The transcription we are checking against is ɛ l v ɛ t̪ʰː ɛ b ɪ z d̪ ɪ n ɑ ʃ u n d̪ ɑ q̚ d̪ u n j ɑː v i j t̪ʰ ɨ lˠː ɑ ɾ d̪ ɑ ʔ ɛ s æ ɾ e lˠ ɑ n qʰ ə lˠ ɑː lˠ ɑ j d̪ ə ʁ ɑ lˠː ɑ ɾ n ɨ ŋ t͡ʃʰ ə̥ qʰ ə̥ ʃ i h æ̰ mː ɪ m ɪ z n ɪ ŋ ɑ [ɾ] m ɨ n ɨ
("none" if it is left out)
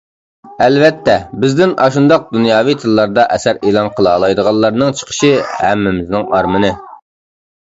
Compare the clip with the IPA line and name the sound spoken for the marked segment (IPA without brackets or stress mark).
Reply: ɾ